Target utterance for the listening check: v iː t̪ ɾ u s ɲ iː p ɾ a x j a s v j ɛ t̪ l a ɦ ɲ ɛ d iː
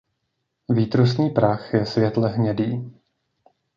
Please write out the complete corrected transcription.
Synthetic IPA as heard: v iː t̪ ɾ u s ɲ iː p ɾ a x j ɛ s v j ɛ t̪ l ɛ ɦ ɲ ɛ d iː